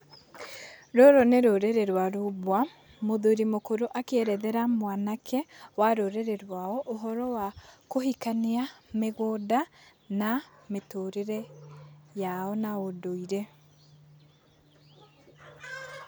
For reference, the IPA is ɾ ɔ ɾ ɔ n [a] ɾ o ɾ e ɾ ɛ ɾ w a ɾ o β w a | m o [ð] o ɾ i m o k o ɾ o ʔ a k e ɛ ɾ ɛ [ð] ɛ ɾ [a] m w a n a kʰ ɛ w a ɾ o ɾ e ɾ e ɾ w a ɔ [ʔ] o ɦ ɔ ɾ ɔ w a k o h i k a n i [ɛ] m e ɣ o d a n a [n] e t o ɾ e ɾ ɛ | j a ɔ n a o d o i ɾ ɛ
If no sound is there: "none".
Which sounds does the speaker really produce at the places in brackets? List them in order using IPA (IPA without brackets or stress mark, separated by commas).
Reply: e, ð, ð, a, ʔ, a, m